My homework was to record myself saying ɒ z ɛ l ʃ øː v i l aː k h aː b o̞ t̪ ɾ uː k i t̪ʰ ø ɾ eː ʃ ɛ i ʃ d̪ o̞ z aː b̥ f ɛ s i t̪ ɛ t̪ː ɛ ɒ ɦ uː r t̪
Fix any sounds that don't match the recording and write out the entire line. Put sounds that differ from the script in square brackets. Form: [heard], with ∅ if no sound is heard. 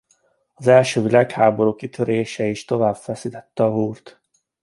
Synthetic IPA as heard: ɒ z ɛ l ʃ øː v i l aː k h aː b o̞ [∅] ɾ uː k i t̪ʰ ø ɾ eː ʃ ɛ i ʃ [t̪] o̞ [v] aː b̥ f ɛ s i t̪ ɛ t̪ː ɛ ɒ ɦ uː r t̪